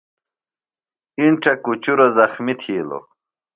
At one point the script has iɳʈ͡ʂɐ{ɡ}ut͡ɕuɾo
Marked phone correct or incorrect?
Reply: incorrect